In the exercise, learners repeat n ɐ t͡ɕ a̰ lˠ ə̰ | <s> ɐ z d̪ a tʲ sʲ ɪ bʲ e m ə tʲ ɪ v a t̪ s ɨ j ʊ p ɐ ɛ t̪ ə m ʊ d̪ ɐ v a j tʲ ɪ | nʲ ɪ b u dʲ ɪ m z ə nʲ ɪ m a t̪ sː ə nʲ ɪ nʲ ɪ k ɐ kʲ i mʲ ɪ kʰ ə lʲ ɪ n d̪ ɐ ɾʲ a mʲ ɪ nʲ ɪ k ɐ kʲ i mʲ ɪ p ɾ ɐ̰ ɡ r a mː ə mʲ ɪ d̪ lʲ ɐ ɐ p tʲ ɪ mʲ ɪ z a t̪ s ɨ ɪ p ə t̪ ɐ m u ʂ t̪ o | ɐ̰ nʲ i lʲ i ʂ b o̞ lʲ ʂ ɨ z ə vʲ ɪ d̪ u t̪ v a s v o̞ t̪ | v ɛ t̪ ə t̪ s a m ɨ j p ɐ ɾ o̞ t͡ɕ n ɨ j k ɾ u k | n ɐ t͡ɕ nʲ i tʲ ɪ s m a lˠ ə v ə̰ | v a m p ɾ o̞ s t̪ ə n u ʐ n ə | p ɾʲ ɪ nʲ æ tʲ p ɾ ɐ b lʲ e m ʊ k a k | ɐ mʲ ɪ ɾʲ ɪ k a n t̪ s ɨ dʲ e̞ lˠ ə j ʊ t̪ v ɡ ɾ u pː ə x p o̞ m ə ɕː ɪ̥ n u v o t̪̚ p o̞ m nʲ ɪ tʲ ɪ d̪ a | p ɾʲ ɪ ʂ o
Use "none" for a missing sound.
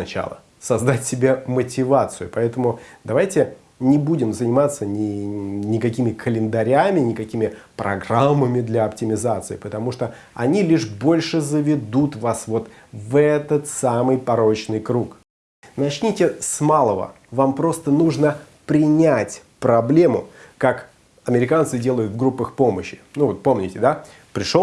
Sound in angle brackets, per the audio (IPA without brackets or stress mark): s